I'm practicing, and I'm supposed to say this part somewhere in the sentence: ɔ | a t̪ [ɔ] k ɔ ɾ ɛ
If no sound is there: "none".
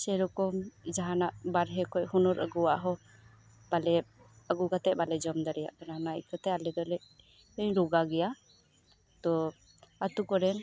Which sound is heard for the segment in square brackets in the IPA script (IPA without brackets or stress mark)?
u